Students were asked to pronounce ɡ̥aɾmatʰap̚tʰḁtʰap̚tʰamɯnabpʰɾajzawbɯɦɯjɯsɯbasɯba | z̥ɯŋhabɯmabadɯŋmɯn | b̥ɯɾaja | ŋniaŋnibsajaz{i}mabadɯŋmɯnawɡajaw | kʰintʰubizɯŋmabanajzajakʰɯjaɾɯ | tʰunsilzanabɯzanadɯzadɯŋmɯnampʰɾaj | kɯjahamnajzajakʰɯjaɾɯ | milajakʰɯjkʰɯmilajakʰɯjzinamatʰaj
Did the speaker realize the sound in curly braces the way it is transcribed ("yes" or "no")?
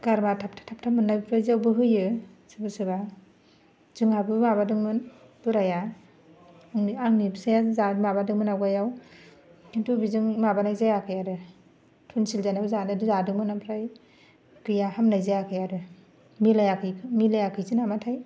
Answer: no